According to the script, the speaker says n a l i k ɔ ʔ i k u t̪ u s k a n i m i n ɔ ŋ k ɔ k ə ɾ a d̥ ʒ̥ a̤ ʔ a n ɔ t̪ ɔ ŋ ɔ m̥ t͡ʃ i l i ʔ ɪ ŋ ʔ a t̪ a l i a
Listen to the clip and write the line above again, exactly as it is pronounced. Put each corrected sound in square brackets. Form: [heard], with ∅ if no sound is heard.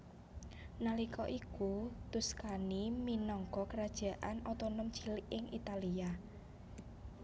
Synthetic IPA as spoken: n a l i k ɔ ʔ i k u t̪ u s k a n i m i n ɔ ŋ k ɔ k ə ɾ a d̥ ʒ̥ a̤ ʔ a n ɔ t̪ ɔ [n] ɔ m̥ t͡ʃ i l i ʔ ɪ ŋ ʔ [i] t̪ a l i a